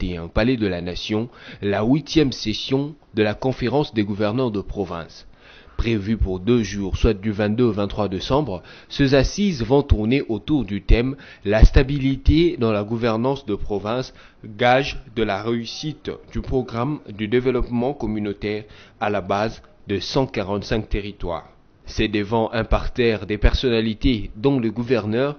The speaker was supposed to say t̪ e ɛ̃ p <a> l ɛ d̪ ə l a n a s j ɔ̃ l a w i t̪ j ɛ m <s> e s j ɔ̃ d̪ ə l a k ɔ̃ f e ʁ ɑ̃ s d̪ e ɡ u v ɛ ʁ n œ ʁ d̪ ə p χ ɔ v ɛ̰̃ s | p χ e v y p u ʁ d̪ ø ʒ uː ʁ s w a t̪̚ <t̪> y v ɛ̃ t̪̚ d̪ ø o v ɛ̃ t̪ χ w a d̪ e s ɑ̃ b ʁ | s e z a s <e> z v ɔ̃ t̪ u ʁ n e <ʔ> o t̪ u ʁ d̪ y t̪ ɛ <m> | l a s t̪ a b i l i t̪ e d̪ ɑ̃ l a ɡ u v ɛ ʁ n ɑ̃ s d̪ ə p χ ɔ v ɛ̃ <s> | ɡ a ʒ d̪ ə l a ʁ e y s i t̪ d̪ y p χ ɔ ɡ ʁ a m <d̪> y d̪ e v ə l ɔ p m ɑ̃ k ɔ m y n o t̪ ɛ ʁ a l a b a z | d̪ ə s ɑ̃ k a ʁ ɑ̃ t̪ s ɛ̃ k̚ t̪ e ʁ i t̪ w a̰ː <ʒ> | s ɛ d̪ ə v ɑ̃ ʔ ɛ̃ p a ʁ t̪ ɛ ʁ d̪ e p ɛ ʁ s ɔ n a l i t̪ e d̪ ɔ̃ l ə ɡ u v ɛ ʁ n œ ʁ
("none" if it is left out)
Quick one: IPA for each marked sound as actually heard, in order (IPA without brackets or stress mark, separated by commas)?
a, s, d̪, i, ʔ, m, s, d̪, ʁ